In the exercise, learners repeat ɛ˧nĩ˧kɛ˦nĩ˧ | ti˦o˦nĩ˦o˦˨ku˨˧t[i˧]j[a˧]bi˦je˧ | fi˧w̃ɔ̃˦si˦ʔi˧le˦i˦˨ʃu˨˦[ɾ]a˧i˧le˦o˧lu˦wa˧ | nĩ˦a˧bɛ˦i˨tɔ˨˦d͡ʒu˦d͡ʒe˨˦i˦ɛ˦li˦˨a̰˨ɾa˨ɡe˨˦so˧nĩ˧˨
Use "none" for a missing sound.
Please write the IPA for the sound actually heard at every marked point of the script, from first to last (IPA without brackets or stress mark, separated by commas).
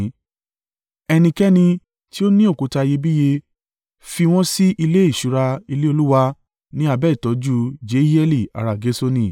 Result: a˧, e˧, ɾ